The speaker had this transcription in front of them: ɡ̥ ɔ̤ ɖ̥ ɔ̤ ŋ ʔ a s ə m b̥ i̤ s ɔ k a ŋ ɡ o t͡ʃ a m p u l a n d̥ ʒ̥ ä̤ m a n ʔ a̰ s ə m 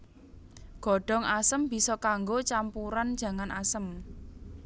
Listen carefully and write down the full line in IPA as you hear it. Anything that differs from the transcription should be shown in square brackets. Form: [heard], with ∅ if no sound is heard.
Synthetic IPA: ɡ̥ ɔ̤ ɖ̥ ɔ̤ ŋ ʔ a s ə m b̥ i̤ s ɔ k a ŋ ɡ o t͡ʃ a m p u [ɾ] a n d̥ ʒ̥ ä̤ [ŋ] a n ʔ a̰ s ə m